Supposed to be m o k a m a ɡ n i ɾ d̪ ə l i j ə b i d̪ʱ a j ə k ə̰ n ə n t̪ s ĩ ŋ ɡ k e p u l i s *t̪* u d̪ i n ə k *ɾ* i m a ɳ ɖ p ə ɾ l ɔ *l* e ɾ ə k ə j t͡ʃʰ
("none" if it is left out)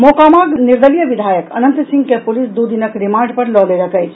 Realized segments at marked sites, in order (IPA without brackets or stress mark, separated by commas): d̪, ɾ, l